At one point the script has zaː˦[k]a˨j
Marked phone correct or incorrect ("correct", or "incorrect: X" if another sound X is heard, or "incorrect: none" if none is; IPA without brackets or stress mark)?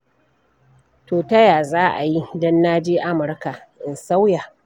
incorrect: ʔ